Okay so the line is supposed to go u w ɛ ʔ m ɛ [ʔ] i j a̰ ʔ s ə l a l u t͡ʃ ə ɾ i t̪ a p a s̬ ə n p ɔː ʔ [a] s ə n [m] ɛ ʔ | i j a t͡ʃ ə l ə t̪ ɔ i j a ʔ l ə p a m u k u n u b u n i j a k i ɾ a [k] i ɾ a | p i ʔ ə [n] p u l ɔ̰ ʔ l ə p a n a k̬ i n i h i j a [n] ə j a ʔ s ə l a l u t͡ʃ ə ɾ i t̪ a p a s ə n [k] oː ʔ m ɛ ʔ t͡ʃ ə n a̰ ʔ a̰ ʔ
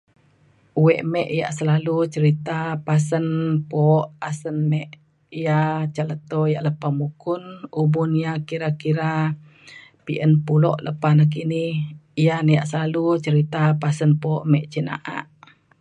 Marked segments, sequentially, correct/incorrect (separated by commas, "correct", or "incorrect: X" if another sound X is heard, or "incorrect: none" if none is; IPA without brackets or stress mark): correct, correct, correct, correct, correct, correct, incorrect: p